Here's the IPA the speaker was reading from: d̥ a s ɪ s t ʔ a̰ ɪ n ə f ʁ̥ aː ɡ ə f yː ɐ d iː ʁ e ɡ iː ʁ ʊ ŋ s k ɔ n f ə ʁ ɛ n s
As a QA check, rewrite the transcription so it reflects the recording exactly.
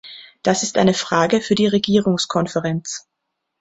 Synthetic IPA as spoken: d̥ a s ɪ s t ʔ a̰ ɪ n ə f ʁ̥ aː ɡ ə f yː ɐ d iː ʁ e ɡ iː ʁ ʊ ŋ s kʰ ɔ n f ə ʁ ɛ n t͡s